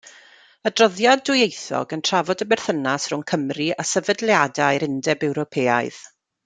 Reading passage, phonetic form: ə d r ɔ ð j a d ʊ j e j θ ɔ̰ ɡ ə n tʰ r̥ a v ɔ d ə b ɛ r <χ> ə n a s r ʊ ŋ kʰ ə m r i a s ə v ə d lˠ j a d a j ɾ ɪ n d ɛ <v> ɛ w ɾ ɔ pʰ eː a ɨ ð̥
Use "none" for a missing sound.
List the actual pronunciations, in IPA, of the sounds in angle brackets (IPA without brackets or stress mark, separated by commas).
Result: θ, b